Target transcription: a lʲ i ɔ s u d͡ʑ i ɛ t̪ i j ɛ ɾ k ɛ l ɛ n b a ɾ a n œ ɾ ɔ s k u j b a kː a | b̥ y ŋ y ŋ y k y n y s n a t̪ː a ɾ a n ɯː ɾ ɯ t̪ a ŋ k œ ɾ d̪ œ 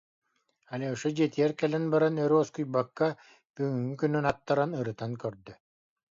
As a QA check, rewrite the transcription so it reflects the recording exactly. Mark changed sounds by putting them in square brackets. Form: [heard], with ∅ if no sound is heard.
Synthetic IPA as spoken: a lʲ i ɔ [ʃ] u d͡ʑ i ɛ t̪ i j ɛ ɾ k ɛ l ɛ n b a ɾ a n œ ɾ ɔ s k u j b a kː a | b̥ y ŋ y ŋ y k y n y [∅] n a t̪ː a ɾ a n [ɯ] ɾ ɯ t̪ a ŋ k œ ɾ d̪ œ